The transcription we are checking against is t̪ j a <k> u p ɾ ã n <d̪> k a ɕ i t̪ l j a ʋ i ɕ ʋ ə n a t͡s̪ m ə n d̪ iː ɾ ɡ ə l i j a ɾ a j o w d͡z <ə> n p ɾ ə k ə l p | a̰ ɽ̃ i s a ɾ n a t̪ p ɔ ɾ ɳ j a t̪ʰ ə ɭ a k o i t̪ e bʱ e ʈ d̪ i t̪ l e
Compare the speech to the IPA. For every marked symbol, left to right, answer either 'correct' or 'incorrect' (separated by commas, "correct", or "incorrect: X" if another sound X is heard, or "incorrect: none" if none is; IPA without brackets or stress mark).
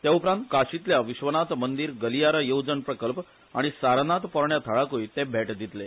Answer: incorrect: none, incorrect: t̪, correct